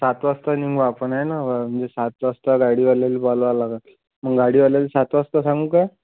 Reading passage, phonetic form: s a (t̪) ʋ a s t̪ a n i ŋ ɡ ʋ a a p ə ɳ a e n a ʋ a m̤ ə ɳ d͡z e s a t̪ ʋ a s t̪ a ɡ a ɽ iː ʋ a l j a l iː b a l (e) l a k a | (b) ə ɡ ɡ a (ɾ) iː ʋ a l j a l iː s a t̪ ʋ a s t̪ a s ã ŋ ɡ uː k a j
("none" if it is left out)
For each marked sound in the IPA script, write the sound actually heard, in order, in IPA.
t̪, a, m, ɽ

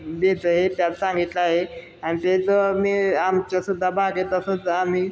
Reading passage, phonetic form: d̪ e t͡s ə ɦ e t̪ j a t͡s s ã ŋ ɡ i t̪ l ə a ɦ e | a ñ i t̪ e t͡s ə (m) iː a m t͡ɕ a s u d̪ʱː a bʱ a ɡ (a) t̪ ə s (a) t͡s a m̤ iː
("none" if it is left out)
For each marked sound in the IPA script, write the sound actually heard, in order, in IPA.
m, e, ə

